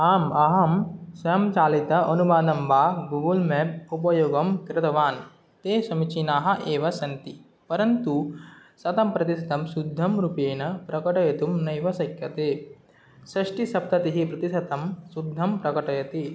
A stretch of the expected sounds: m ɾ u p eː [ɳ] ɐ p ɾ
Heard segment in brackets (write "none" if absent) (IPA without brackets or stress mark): n